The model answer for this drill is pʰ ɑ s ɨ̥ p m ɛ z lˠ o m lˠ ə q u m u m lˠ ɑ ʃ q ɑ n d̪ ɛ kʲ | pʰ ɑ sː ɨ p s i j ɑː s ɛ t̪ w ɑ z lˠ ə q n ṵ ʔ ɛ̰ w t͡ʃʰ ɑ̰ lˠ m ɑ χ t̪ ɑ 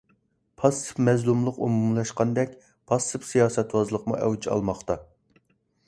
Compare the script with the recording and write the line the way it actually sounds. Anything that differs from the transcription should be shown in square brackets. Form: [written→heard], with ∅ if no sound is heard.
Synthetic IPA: pʰ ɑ s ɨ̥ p m ɛ z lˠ [o→u] m lˠ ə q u m u m lˠ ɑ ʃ q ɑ n d̪ ɛ kʲ | pʰ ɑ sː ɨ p s i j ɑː s ɛ t̪ w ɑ z lˠ ə q [n→m] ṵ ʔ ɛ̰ w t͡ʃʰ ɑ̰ lˠ m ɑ χ t̪ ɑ